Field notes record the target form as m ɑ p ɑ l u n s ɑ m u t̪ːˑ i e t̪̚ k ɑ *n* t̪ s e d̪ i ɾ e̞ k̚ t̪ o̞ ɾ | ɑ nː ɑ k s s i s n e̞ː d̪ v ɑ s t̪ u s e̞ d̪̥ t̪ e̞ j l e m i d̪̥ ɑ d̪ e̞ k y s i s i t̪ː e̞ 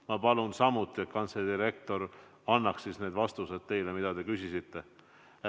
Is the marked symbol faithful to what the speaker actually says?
yes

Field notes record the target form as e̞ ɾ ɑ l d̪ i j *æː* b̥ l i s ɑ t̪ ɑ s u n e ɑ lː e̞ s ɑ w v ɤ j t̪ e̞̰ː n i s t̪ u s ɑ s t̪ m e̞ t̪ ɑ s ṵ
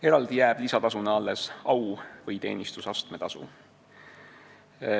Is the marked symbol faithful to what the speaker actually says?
yes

